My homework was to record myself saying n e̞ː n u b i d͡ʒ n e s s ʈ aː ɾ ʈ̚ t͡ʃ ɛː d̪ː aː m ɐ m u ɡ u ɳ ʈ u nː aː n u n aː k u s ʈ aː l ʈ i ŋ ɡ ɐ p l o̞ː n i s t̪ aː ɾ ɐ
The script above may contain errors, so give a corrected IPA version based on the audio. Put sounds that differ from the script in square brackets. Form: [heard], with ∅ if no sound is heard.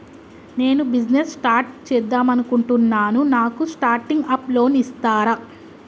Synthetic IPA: n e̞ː n u b i d͡ʒ n e s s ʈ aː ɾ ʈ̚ t͡ʃ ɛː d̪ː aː m ɐ [n] u [k] u ɳ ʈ u nː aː n u n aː k u s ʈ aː [ɾ] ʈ i ŋ ɡ ɐ p l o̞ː n i s t̪ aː ɾ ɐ